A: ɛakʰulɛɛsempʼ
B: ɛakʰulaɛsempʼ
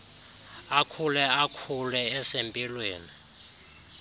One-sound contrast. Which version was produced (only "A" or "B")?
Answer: A